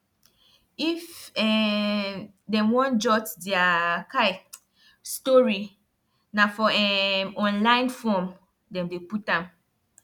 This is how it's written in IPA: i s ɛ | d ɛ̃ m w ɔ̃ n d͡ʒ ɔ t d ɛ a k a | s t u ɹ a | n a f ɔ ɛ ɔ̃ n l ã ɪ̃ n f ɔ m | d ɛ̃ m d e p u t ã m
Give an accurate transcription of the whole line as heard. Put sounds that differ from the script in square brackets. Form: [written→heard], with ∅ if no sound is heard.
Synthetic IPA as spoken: i [s→f] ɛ | d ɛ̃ m w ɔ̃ n d͡ʒ ɔ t d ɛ a k a | s t [u→ɔ] ɹ [a→i] | n a f ɔ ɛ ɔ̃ n l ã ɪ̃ n f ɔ m | d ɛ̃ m d e p u t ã m